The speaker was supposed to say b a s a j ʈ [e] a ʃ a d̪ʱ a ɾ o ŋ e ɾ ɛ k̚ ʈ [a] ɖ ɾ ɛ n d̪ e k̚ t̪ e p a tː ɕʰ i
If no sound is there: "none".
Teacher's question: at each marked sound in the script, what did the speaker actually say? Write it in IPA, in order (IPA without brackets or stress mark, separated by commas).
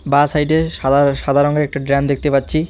e, a